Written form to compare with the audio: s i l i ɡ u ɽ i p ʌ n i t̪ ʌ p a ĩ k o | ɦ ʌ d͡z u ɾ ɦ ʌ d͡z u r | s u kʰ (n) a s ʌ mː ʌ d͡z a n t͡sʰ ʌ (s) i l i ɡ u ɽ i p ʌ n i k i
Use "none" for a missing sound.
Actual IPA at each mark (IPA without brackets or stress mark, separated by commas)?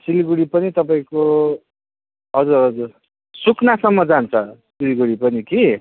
n, s